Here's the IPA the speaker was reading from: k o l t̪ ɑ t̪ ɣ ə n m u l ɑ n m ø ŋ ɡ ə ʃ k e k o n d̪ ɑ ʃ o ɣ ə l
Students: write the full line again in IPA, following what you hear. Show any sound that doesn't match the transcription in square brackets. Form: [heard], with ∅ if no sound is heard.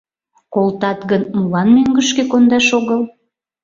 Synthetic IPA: k o l t̪ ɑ t̪ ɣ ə n m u l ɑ n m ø ŋ ɡ ə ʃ k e k o n d̪ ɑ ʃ o ɣ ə l